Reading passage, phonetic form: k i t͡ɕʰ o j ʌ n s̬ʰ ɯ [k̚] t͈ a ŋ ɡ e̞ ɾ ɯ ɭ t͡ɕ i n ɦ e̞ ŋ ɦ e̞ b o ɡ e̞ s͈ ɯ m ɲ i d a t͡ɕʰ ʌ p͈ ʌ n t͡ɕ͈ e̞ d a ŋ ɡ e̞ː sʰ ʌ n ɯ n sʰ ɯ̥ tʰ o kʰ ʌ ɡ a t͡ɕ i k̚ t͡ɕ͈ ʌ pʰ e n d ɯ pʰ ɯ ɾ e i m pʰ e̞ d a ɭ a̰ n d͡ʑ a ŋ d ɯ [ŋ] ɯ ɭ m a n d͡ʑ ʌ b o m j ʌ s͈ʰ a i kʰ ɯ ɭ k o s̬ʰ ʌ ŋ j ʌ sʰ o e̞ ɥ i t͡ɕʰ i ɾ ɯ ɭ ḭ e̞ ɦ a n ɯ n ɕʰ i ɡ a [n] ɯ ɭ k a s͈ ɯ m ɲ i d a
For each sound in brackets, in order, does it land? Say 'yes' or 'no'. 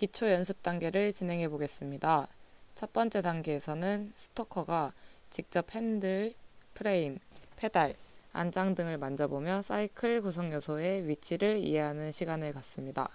no, yes, yes

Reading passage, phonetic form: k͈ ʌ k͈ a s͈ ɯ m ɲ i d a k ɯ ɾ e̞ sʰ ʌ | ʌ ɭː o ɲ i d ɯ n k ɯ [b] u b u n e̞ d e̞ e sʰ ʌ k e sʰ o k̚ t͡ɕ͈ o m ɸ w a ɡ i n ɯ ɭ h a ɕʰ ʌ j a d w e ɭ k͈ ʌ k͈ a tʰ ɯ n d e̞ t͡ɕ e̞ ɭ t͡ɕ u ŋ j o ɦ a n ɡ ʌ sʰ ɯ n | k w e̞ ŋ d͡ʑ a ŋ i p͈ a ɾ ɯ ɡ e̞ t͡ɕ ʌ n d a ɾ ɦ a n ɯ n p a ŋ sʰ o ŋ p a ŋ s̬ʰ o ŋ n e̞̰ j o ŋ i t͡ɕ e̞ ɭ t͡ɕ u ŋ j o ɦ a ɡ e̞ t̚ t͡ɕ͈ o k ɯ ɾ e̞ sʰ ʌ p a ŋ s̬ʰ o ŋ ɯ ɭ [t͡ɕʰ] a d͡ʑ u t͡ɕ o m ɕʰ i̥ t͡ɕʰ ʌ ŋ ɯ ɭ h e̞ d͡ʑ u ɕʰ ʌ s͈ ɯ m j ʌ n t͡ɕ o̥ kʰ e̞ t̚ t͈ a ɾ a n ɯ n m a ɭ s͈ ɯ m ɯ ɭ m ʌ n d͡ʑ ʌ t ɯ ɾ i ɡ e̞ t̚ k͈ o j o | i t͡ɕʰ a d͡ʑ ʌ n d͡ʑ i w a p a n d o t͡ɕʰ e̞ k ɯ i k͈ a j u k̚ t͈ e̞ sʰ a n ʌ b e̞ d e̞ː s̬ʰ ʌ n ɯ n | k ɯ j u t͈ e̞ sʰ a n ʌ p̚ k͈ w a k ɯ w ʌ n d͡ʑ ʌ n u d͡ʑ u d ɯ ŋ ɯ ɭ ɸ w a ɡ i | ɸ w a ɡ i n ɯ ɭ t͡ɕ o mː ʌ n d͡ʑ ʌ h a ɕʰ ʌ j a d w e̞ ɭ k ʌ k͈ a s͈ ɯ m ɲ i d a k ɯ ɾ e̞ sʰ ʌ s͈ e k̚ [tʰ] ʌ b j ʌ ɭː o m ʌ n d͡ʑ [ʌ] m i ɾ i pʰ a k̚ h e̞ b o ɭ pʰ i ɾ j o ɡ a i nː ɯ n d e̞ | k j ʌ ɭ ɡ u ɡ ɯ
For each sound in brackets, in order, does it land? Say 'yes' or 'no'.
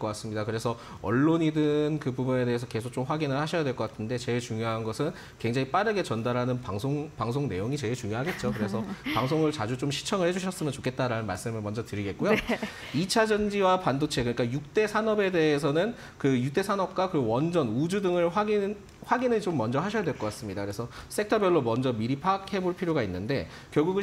yes, no, yes, yes

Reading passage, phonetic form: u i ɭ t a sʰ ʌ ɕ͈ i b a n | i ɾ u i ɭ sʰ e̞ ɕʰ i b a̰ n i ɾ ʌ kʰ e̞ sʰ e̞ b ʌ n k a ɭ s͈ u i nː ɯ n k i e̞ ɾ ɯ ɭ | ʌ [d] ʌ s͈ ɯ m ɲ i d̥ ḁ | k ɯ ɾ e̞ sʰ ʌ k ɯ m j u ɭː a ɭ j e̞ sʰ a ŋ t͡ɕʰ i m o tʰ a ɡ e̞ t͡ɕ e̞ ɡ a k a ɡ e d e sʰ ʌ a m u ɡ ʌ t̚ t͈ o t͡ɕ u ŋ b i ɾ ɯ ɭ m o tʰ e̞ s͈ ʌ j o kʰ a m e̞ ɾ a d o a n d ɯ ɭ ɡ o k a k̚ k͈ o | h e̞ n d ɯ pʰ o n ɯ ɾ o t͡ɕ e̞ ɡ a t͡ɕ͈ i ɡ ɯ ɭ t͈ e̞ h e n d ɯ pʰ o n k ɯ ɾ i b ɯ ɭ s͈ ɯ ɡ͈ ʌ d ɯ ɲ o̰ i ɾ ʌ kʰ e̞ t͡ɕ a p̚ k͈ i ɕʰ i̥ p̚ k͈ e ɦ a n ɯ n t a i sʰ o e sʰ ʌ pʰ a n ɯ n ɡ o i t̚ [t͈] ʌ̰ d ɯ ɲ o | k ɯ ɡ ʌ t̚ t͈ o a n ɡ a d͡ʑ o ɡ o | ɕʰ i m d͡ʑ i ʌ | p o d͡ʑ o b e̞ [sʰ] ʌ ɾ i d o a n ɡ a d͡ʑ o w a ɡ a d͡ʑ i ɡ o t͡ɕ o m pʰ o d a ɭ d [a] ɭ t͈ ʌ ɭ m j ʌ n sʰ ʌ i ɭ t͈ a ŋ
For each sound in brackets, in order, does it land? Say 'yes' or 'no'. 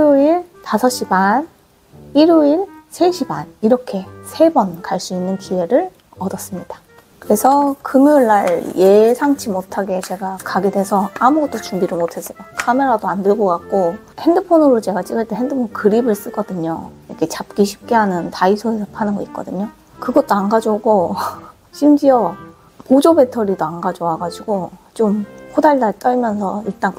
yes, no, no, yes

